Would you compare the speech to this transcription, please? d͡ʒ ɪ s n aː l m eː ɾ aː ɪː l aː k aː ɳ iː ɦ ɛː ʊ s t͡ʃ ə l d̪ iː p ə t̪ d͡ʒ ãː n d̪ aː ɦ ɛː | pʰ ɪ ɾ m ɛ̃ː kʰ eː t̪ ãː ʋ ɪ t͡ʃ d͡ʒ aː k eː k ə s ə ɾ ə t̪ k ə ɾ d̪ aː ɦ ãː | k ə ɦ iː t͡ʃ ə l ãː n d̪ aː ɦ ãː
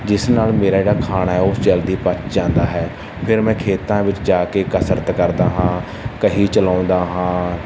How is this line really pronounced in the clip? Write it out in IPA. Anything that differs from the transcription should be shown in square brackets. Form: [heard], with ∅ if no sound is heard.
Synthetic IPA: d͡ʒ ɪ s n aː l m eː ɾ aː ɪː [ɽ] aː [kʰ] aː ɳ [aː] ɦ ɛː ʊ s t͡ʃ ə l d̪ iː p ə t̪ d͡ʒ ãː n d̪ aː ɦ ɛː | pʰ ɪ ɾ m ɛ̃ː kʰ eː t̪ ãː ʋ ɪ t͡ʃ d͡ʒ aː k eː k ə s ə ɾ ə t̪ k ə ɾ d̪ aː ɦ ãː | k ə ɦ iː t͡ʃ ə l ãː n d̪ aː ɦ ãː

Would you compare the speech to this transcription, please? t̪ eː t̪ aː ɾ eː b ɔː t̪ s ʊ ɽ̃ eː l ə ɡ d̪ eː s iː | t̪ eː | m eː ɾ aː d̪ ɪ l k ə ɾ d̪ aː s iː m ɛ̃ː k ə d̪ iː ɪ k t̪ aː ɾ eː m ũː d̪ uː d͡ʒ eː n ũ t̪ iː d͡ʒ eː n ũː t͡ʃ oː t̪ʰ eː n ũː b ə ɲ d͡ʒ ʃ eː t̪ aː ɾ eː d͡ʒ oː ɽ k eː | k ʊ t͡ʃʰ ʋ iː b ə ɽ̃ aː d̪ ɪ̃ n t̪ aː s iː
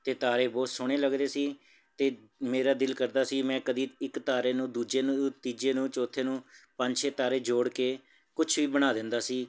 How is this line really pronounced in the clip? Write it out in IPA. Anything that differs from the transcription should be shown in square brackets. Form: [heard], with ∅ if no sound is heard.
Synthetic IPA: t̪ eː t̪ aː ɾ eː b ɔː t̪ s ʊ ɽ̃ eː l ə ɡ d̪ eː s iː | t̪ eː | m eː ɾ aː d̪ ɪ l k ə ɾ d̪ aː s iː m ɛ̃ː k ə d̪ iː ɪ k t̪ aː ɾ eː [n] ũː d̪ uː d͡ʒ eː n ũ t̪ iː d͡ʒ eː n ũː t͡ʃ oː t̪ʰ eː n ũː [p] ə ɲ d͡ʒ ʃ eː t̪ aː ɾ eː d͡ʒ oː ɽ k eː | k ʊ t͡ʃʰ ʋ iː b ə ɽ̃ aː d̪ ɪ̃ n [d̪] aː s iː

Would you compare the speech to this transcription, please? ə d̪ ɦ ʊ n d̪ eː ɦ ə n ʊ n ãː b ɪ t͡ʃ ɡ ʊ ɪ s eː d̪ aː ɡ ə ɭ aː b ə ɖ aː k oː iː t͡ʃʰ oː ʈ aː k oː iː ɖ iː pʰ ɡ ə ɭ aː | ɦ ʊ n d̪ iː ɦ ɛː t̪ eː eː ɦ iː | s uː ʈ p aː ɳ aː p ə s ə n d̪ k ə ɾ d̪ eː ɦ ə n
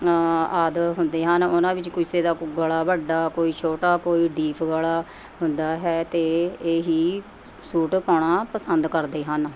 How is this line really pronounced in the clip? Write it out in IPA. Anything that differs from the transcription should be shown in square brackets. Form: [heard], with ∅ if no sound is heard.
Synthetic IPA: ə d̪ ɦ ʊ n d̪ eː ɦ ə n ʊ n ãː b ɪ t͡ʃ [k] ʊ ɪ s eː d̪ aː ɡ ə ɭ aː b ə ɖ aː k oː iː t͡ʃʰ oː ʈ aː k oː iː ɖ iː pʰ ɡ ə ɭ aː | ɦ ʊ n d̪ [aː] ɦ ɛː t̪ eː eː ɦ iː | s uː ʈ p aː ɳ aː p ə s ə n d̪ k ə ɾ d̪ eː ɦ ə n

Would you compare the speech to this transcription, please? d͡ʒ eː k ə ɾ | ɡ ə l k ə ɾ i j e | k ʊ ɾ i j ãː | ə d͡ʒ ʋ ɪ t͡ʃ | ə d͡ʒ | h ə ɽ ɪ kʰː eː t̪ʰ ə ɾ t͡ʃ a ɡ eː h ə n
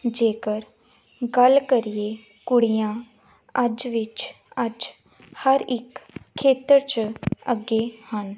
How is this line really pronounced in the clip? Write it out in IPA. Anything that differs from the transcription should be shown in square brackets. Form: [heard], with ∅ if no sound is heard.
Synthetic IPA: d͡ʒ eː k ə ɾ | ɡ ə l k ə ɾ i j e | k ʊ [ɽ] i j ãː | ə d͡ʒ ʋ ɪ t͡ʃ | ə d͡ʒ | h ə [ɾ] ɪ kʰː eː [t̪] ə ɾ t͡ʃ [ə] ɡ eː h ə n

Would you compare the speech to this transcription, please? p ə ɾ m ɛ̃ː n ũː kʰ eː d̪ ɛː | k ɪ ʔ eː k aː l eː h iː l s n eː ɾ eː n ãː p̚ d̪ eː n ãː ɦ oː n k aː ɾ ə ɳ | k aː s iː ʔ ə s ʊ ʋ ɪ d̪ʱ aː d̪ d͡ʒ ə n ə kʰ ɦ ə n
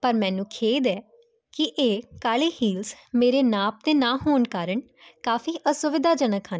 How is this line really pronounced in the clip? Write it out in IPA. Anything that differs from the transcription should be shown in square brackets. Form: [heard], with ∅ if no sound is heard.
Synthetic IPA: p ə ɾ m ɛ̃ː n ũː kʰ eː d̪ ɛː | k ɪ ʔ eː k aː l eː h iː l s [m] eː ɾ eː n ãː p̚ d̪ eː n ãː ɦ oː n k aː ɾ ə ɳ | k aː [f] iː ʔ ə s ʊ ʋ ɪ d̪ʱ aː [∅] d͡ʒ ə n ə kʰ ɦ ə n

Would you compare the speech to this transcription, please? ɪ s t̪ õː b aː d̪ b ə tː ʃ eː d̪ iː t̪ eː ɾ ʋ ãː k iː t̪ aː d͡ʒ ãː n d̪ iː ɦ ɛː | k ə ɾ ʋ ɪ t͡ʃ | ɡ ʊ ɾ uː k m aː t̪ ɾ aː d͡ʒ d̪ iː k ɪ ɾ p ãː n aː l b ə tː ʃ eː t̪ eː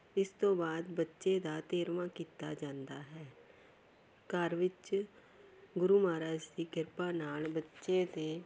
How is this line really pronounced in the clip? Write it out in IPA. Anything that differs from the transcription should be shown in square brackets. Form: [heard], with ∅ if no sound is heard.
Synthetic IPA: ɪ s t̪ õː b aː d̪ b ə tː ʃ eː d̪ [aː] t̪ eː ɾ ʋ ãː k iː t̪ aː d͡ʒ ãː n d̪ [aː] ɦ ɛː | k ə ɾ ʋ ɪ t͡ʃ | ɡ ʊ ɾ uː [∅] m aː [∅] ɾ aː d͡ʒ d̪ iː k ɪ ɾ p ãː n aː l b ə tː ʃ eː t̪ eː

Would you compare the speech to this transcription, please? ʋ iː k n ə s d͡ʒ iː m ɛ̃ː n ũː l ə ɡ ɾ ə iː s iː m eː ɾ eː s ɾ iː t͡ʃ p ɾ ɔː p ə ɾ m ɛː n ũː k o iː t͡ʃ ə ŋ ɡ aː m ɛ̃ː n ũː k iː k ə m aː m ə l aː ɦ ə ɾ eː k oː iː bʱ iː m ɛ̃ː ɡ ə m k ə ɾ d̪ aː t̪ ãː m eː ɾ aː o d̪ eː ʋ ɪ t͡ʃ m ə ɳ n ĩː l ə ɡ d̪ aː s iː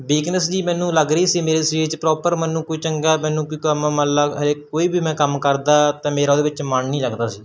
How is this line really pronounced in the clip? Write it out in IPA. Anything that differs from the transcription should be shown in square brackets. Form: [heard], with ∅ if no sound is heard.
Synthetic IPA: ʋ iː k n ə s d͡ʒ iː m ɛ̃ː n ũː l ə ɡ ɾ ə iː s iː m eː ɾ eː s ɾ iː t͡ʃ p ɾ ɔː p ə ɾ m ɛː n ũː k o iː t͡ʃ ə ŋ ɡ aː m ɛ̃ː n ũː k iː k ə m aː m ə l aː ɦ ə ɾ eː k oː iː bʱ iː m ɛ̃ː [k] ə m k ə ɾ d̪ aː t̪ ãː m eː ɾ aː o d̪ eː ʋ ɪ t͡ʃ m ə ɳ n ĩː l ə ɡ d̪ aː s iː

